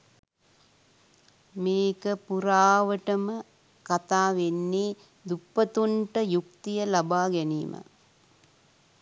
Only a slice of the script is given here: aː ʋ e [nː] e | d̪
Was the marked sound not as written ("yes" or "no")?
no